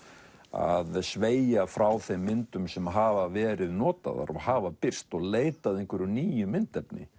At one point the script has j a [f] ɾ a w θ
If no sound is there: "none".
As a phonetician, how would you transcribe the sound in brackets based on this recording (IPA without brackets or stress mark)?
f